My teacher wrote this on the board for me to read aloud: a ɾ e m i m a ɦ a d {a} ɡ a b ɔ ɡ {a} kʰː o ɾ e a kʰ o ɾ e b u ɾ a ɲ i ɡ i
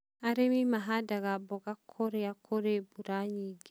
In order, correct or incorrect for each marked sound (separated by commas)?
correct, correct